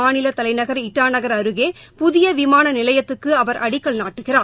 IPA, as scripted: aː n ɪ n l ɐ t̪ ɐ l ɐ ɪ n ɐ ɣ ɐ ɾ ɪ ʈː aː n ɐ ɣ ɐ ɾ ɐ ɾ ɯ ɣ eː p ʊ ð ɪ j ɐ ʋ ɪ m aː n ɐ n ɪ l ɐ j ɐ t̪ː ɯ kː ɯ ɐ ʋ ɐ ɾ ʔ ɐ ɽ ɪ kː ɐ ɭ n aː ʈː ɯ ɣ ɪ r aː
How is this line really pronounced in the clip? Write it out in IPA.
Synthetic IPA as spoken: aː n ɪ l ɐ t̪ ɐ l ɐ ɪ n ɐ ɣ ɐ ɾ ɪ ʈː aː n ɐ ɣ ɐ ɾ ɐ ɾ ɯ ɣ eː p ʊ ð ɪ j ɐ ʋ ɪ m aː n ɐ n ɪ l ɐ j ɐ t̪ː ɯ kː ɯ ɐ ʋ ɐ ɾ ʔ ɐ ɽ ɪ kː ɐ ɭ n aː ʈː ɯ ɣ ɪ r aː